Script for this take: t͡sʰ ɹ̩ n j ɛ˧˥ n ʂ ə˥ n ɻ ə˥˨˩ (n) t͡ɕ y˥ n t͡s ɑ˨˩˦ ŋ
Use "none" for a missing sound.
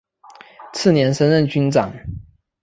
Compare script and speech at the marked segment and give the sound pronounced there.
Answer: n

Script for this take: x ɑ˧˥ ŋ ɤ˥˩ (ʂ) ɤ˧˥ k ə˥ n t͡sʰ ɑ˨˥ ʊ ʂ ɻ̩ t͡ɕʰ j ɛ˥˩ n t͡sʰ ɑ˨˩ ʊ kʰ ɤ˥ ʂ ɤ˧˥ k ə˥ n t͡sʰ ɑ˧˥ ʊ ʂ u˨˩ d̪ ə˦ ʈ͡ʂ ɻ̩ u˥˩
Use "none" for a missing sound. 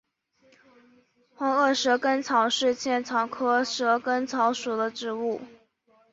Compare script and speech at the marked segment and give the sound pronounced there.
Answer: ʂ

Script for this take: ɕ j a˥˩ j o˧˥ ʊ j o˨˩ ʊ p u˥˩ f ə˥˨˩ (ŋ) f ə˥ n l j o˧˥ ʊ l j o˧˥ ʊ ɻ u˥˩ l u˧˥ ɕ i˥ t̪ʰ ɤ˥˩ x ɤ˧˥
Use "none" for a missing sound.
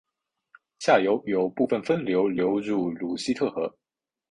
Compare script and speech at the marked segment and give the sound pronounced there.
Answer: n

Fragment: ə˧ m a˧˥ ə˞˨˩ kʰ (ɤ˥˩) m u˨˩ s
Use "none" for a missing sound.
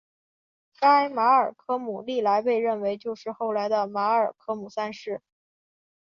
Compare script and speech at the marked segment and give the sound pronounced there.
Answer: ɤ˥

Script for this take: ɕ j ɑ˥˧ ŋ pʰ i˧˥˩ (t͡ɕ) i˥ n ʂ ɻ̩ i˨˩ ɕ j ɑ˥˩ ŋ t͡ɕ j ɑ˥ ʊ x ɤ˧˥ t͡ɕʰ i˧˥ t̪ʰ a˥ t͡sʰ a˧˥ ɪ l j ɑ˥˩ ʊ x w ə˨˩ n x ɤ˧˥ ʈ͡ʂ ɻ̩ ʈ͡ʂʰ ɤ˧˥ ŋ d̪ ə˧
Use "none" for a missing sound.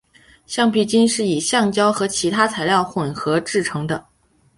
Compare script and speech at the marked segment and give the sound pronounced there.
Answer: t͡ɕ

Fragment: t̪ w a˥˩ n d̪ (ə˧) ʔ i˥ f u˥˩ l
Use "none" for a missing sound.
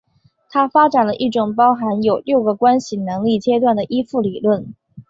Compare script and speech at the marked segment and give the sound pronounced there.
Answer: ə˩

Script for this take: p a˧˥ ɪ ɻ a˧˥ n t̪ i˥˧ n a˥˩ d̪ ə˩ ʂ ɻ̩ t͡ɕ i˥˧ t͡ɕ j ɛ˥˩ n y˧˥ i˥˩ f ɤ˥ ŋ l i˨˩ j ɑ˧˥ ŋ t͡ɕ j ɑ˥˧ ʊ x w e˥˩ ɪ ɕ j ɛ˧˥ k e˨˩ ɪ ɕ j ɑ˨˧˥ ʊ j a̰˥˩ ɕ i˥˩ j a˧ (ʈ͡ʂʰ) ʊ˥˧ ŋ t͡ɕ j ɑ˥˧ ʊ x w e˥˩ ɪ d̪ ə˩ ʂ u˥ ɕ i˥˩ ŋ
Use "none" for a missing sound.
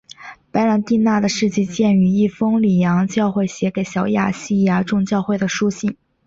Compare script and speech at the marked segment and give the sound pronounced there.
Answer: ʈ͡ʂ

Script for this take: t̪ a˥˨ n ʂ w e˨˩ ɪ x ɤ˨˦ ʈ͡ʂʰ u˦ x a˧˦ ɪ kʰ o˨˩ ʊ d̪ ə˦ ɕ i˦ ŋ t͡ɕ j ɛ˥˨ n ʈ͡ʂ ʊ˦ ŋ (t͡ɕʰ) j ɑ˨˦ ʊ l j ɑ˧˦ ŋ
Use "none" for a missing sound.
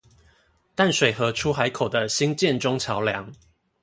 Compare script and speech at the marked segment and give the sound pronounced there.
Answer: t͡ɕʰ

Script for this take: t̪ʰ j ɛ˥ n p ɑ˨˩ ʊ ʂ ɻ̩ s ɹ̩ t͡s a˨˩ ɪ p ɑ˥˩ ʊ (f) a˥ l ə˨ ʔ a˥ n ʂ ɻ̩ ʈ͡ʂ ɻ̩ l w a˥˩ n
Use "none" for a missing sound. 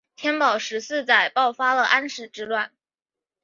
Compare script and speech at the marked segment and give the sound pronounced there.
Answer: f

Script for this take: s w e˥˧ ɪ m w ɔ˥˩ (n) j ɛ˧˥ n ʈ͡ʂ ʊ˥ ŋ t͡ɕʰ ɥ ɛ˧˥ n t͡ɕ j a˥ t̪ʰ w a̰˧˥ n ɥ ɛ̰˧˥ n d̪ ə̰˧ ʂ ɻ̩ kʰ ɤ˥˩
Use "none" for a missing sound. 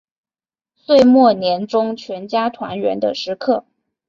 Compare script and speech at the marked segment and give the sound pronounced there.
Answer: n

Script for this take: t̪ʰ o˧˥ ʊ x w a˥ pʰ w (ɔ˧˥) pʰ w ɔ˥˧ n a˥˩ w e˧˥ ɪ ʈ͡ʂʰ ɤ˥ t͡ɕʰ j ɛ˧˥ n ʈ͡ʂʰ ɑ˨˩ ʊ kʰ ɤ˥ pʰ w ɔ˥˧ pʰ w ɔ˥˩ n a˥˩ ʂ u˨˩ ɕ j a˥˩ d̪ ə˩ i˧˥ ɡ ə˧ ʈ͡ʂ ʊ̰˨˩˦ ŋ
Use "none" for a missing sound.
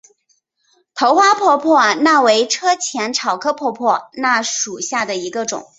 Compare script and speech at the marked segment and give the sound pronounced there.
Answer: ɔ˥˧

